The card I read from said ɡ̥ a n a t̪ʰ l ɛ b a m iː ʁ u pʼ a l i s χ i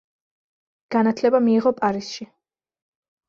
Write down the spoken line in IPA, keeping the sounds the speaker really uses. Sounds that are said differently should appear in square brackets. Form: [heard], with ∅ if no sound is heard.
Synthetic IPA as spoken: ɡ̥ a n a t̪ʰ l ɛ b a m iː ʁ [ɔ] pʼ a [ɾ] i s [ʃ] i